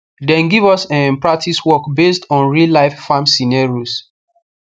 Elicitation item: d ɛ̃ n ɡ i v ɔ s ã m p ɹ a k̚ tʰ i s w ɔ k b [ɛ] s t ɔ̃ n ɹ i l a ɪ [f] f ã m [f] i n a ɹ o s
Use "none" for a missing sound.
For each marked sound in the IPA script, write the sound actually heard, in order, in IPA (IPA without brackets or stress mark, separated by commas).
e, f, s